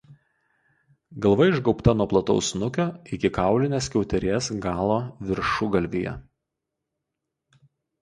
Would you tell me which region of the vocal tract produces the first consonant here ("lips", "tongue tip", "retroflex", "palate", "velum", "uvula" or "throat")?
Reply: velum